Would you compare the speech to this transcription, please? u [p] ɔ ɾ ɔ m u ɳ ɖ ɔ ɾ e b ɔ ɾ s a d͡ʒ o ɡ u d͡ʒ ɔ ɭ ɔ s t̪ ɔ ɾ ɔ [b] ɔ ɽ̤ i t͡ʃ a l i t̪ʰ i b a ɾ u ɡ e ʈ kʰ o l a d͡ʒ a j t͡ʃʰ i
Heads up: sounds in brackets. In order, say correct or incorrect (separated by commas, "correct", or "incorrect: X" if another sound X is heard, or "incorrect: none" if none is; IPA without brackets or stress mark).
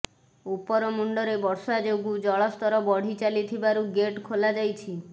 correct, correct